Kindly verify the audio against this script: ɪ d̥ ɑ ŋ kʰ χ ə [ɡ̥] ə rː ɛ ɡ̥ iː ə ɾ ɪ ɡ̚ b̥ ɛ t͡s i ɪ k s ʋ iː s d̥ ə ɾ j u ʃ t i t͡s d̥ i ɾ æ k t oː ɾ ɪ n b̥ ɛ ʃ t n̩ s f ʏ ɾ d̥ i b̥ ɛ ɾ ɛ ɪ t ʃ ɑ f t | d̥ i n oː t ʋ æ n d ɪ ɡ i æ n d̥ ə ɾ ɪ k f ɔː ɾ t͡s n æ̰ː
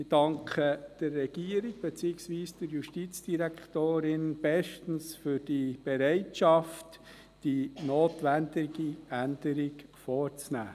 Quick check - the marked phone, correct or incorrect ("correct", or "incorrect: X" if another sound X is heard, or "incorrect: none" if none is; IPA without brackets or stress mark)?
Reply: incorrect: d̥